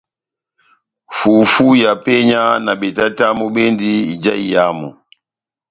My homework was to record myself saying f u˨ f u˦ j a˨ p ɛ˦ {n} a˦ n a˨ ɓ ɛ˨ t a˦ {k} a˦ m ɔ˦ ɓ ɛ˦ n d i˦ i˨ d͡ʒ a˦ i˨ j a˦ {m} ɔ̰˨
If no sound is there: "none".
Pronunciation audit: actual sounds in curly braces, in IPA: ɲ, t, m

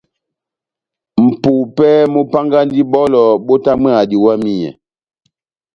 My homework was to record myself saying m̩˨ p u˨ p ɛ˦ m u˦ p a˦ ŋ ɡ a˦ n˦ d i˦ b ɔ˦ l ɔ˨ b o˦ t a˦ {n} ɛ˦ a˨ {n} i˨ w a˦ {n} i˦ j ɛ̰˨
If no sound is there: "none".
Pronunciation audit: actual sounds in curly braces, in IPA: m, d, m

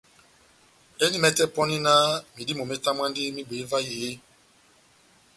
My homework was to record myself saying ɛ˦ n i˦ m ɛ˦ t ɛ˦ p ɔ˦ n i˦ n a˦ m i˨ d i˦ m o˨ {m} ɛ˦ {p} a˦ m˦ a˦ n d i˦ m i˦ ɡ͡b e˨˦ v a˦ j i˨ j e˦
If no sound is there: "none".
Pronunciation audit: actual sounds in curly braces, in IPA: m, t

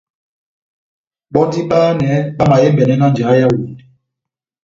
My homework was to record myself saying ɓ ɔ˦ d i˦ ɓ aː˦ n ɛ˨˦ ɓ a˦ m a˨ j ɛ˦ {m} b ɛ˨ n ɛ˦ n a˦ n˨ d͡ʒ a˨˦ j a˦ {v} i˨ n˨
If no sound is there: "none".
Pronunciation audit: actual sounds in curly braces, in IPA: m, w

